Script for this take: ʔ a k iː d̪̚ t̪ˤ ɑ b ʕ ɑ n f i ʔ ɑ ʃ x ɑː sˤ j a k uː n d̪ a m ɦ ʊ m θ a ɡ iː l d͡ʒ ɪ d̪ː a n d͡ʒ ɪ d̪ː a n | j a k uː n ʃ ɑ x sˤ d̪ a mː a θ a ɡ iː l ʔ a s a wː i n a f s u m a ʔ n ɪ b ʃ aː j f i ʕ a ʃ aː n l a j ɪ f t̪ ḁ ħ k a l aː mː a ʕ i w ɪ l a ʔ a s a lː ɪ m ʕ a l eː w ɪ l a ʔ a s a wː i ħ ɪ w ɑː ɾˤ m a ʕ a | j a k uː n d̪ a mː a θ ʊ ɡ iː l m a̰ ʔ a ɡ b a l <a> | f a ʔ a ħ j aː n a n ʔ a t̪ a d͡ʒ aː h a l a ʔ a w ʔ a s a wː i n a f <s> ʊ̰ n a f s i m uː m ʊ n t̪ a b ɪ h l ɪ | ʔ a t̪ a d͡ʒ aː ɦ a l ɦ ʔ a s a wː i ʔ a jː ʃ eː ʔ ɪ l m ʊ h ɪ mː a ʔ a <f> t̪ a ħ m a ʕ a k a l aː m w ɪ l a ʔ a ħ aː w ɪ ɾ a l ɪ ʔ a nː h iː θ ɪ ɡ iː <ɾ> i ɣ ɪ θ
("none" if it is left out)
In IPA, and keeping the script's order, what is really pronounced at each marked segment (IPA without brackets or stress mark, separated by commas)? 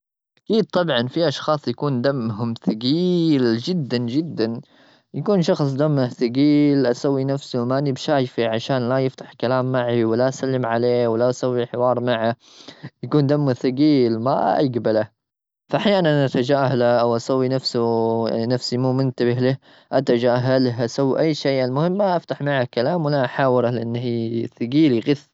a, s, f, l